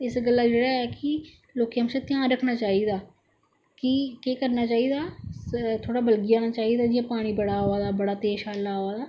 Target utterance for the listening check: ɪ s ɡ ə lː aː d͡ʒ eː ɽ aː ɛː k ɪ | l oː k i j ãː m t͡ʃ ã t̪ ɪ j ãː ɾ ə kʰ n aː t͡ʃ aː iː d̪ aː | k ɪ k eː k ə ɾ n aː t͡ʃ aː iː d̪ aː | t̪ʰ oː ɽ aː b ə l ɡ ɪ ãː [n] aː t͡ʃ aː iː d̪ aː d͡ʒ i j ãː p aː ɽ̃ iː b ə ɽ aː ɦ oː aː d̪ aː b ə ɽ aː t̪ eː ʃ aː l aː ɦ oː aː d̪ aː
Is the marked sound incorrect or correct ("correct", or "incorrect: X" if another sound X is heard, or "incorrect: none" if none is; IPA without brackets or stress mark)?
correct